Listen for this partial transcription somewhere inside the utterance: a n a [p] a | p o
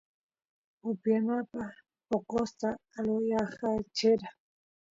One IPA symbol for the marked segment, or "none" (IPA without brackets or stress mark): p